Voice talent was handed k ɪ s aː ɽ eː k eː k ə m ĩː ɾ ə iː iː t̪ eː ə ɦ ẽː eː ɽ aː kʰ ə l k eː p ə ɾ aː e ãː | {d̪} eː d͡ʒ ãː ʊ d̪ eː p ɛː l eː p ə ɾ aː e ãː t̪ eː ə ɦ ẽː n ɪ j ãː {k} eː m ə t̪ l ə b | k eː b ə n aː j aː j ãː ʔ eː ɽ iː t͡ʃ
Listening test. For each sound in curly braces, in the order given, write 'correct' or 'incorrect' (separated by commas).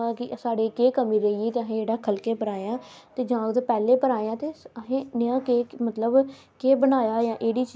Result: incorrect, correct